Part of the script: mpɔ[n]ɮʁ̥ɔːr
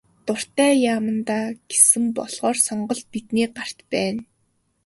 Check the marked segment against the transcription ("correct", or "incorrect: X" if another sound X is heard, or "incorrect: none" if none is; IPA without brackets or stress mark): incorrect: none